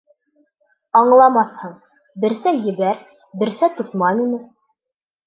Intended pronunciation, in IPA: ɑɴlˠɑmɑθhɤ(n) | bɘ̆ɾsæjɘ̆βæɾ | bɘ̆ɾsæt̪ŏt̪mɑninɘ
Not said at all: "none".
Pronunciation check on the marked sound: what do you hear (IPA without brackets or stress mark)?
ɴ